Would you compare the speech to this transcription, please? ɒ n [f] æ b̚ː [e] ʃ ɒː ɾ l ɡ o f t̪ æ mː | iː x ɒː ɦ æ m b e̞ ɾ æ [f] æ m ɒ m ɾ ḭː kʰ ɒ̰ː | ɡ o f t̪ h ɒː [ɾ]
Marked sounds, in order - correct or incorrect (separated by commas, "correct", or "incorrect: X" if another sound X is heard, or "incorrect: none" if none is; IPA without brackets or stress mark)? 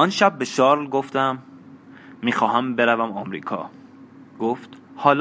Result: incorrect: ʃ, correct, incorrect: v, incorrect: l